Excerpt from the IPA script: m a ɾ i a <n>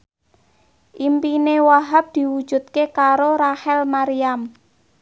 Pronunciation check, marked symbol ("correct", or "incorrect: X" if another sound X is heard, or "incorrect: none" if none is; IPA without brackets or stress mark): incorrect: m